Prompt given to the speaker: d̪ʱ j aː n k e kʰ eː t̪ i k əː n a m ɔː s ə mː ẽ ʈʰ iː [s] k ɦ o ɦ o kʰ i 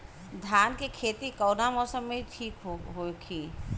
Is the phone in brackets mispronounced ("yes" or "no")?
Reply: yes